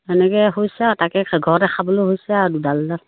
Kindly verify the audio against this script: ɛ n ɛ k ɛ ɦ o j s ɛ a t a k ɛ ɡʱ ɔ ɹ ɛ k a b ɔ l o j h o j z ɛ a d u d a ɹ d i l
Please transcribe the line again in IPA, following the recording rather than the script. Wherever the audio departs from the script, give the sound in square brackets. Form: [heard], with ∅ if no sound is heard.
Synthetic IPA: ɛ n ɛ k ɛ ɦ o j s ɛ a t a k ɛ ɡʱ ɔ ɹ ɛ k a b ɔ l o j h o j [s] ɛ a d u d a [l] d [a] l